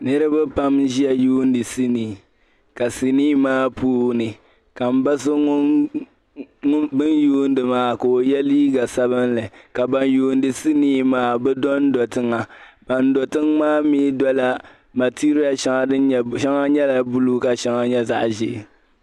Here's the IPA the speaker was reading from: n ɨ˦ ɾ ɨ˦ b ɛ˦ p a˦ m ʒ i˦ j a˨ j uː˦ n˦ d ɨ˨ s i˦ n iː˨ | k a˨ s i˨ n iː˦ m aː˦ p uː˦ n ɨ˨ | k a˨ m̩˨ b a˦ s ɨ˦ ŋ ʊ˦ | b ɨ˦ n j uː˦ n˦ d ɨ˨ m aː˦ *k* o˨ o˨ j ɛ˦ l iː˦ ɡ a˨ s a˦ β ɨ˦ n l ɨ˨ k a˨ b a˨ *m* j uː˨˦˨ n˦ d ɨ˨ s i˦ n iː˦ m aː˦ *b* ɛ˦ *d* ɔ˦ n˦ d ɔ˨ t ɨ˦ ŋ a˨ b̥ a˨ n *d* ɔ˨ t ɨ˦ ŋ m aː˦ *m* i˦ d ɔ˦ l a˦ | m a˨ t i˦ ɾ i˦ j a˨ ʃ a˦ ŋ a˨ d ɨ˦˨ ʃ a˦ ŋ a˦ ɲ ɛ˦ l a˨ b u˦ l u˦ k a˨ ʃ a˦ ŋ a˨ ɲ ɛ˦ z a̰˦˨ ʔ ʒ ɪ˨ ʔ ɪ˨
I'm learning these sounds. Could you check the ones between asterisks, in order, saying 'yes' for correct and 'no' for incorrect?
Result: yes, no, yes, yes, yes, yes

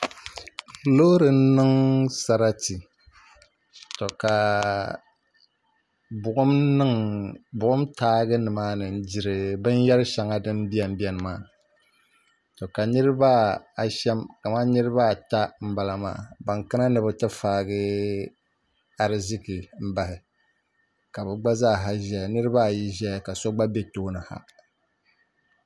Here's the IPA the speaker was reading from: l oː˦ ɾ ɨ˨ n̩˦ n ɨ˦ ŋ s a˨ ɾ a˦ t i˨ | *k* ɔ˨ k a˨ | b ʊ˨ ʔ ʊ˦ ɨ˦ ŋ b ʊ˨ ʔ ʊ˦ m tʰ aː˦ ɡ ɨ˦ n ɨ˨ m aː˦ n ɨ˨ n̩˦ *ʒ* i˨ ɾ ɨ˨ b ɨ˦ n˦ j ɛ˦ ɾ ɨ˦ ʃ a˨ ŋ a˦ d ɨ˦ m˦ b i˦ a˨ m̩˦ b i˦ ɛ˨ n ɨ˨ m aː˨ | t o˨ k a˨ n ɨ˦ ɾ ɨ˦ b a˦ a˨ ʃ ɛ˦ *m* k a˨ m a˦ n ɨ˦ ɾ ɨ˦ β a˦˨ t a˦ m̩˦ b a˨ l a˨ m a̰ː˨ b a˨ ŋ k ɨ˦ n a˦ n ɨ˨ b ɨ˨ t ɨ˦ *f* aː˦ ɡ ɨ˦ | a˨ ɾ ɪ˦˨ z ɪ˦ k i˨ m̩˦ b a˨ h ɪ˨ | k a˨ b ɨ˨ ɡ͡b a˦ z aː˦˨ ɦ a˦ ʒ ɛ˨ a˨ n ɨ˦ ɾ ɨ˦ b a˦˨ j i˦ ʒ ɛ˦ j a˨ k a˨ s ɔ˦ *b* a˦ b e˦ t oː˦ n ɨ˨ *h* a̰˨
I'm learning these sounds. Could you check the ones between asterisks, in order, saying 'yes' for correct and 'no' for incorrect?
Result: no, no, yes, yes, no, yes

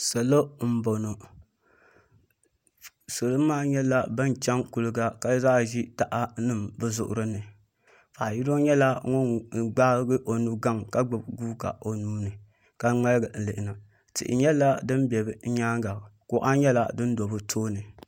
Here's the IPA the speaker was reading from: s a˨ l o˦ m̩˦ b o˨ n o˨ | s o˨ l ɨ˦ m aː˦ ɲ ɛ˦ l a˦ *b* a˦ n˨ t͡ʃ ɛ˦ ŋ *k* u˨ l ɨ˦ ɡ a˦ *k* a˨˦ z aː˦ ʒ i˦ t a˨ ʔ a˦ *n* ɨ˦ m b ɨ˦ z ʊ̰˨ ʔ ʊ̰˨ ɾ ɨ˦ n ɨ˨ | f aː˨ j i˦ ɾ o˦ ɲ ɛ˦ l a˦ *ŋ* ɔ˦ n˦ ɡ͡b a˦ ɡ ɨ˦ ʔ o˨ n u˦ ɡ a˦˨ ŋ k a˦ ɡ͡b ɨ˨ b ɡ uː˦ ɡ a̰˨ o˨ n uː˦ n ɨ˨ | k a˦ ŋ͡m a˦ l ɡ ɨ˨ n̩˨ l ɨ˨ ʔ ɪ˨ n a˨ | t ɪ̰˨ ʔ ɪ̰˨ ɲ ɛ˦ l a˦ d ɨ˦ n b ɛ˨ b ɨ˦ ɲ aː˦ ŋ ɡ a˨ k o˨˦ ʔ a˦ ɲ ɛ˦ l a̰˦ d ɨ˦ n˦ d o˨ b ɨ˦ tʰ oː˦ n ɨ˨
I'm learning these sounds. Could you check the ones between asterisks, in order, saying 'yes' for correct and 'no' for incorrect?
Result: yes, yes, yes, yes, yes

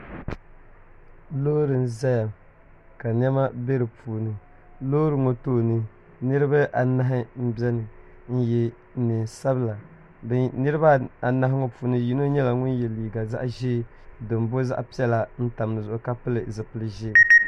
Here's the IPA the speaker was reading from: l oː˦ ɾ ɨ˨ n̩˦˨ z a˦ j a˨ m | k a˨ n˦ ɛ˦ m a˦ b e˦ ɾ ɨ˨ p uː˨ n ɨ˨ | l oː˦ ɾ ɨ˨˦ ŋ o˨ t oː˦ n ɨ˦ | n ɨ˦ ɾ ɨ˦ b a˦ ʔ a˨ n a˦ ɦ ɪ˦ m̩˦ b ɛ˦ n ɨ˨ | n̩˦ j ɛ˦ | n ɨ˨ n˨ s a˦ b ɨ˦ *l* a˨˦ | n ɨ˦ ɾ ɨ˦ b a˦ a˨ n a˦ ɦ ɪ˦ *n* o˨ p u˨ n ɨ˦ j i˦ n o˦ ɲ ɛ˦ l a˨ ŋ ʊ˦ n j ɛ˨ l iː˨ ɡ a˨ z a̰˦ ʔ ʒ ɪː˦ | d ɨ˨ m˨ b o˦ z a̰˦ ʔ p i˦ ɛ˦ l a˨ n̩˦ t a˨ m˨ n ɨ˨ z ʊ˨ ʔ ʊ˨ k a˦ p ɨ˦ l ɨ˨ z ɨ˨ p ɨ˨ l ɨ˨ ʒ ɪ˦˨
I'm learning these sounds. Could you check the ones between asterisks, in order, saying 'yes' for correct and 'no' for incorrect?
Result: yes, no

